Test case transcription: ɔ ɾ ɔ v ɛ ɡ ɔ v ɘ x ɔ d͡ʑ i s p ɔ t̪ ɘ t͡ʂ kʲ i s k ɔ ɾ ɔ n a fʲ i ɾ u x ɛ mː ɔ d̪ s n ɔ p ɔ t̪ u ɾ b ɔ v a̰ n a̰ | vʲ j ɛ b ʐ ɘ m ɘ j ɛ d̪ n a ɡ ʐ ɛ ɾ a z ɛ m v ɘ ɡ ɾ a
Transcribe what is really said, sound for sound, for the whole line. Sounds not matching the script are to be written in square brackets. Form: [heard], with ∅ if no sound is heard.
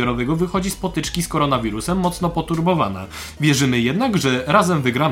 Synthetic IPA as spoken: ɔ ɾ ɔ v ɛ ɡ ɔ v ɘ x ɔ d͡ʑ i s p ɔ t̪ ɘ t͡ʂ kʲ i s k ɔ ɾ ɔ n a [vʲ] i ɾ u [s] ɛ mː ɔ [t̪] s n ɔ p ɔ t̪ u ɾ b ɔ v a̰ n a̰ | vʲ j ɛ [∅] ʐ ɘ m ɘ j ɛ d̪ n a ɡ ʐ ɛ ɾ a z ɛ m v ɘ ɡ ɾ a